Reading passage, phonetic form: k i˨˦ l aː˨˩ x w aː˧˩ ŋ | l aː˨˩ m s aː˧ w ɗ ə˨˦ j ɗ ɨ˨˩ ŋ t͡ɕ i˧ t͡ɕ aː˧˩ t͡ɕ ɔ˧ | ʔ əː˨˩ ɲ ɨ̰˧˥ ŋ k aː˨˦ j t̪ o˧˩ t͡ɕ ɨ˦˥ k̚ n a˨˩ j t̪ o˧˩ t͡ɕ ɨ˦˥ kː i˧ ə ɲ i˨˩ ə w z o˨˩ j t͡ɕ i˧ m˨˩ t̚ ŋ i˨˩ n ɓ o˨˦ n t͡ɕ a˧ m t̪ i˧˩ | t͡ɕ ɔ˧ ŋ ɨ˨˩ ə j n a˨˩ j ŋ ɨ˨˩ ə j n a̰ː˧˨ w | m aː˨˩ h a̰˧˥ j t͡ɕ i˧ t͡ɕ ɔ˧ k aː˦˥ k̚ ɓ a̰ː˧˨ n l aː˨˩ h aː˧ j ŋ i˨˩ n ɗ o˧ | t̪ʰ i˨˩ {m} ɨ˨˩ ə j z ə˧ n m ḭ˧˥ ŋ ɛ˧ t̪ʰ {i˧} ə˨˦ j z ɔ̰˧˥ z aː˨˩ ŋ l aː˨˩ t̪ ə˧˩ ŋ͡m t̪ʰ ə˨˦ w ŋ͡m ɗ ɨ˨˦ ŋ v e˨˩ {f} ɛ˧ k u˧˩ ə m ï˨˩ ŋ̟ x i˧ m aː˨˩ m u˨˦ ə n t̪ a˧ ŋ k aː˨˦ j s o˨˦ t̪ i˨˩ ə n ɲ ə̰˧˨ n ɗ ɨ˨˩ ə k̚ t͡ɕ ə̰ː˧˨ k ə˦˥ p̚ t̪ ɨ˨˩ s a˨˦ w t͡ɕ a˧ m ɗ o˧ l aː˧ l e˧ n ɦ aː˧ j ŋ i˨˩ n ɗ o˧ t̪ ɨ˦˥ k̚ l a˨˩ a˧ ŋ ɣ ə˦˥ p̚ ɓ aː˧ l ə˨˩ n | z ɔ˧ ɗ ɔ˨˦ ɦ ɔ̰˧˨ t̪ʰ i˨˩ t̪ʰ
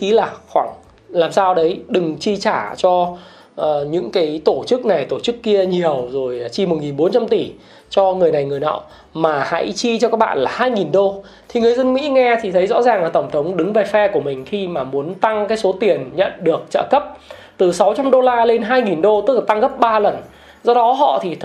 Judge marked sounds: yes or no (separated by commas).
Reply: no, no, yes